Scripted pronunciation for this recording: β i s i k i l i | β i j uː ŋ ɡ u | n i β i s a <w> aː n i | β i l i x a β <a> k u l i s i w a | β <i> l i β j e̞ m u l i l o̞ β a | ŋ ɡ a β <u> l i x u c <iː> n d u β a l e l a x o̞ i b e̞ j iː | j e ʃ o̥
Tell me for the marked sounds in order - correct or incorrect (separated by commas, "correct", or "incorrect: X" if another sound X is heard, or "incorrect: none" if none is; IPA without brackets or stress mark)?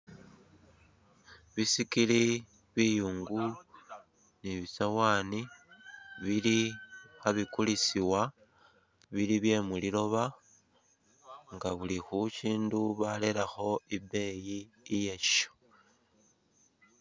correct, incorrect: i, correct, correct, correct